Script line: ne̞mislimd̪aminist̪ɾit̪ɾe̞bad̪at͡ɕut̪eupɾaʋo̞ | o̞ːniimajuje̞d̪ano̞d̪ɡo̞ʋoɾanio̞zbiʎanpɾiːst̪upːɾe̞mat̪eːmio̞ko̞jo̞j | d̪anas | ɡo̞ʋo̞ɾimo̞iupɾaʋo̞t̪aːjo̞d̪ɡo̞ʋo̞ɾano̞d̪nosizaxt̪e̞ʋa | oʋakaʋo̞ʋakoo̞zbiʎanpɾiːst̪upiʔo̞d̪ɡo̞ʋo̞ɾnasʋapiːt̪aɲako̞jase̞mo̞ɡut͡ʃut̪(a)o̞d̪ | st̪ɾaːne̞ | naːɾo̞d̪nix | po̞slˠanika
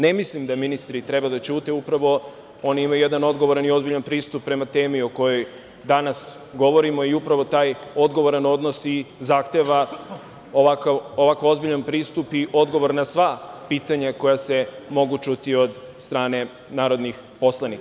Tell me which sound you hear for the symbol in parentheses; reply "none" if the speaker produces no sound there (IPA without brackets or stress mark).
i